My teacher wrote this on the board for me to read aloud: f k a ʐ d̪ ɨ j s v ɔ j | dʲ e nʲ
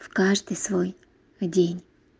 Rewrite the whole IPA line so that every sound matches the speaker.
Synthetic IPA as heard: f k a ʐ d̪ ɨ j s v o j | dʲ e nʲ